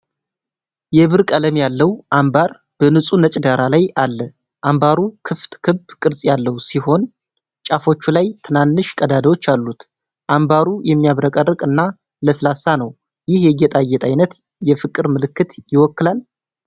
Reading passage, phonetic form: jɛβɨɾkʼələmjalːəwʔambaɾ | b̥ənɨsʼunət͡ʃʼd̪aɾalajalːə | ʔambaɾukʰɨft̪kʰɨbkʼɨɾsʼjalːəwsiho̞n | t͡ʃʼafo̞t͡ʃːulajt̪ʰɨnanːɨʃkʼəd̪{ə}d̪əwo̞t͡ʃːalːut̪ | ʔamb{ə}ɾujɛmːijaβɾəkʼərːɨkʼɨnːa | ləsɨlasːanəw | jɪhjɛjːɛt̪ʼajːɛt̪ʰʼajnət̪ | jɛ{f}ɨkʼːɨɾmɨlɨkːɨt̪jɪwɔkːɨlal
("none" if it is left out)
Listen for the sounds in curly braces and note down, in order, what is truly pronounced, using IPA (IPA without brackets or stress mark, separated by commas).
a, a, f